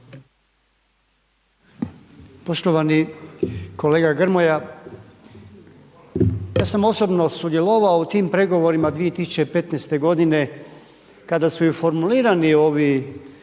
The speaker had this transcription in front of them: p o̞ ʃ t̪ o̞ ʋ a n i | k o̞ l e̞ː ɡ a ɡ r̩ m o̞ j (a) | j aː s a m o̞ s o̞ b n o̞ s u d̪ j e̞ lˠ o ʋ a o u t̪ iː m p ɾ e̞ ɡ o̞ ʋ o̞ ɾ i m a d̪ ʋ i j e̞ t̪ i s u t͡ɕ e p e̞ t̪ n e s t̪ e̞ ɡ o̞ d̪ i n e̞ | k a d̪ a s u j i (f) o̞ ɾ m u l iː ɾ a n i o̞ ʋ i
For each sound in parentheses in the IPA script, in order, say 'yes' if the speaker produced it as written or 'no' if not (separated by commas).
yes, yes